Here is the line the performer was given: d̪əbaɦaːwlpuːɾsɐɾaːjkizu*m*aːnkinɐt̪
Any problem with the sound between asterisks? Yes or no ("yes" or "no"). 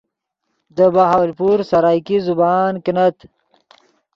yes